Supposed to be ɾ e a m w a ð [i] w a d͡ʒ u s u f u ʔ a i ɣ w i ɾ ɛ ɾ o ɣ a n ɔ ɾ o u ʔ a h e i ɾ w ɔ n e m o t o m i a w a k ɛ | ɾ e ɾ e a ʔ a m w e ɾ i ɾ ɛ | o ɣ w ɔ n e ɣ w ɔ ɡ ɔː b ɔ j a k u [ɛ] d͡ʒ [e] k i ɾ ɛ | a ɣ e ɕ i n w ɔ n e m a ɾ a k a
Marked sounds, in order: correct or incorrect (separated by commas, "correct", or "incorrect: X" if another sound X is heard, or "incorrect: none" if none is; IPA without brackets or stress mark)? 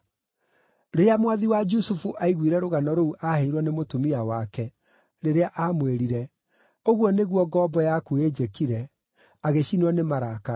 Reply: correct, incorrect: e, correct